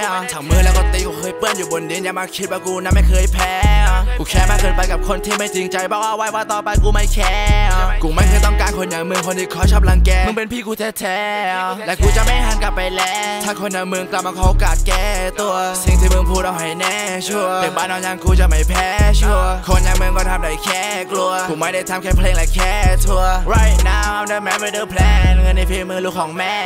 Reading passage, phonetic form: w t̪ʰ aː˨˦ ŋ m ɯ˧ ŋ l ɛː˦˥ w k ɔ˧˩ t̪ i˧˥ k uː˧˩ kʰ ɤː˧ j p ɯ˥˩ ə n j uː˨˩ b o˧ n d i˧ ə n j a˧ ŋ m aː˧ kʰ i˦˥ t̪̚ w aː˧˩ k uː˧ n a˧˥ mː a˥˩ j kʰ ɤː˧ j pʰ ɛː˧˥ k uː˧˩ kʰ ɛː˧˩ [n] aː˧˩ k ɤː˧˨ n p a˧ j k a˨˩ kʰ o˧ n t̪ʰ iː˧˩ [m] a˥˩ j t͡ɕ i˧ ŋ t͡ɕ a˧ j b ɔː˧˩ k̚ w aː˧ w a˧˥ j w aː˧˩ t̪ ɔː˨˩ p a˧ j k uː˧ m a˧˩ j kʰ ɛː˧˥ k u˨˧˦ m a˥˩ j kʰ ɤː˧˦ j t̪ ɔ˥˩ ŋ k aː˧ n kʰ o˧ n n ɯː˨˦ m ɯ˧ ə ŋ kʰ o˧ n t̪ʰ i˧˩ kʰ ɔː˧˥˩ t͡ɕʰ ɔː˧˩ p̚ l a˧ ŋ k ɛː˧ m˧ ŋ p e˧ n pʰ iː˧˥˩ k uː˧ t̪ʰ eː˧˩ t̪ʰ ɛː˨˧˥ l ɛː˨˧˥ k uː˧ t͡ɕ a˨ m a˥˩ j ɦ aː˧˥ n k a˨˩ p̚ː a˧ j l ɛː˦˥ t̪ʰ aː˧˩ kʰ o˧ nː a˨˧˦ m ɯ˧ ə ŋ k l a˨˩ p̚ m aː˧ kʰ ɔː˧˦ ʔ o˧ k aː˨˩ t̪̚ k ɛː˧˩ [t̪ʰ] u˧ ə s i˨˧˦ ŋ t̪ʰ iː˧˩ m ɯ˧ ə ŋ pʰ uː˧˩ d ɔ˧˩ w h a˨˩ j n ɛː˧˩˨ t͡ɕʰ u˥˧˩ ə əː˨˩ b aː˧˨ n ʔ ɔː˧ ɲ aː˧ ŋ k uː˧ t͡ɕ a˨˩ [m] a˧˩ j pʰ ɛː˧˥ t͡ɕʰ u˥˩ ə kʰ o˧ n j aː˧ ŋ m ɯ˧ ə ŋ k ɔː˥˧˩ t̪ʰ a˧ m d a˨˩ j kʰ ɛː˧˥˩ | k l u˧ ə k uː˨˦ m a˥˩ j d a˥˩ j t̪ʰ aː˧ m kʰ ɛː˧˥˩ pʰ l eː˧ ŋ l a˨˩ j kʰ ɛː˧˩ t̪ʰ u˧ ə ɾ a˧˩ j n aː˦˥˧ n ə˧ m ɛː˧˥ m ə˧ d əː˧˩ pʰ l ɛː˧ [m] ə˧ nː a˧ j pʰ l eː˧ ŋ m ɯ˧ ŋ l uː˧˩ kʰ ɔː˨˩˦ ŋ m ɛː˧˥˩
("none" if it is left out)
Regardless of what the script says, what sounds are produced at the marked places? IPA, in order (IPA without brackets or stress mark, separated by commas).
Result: m, m, t̪, m, ŋ